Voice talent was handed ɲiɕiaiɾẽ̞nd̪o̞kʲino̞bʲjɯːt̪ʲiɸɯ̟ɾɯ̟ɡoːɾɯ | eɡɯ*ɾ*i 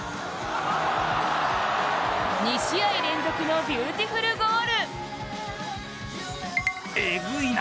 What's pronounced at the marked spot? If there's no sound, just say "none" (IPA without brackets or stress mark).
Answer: none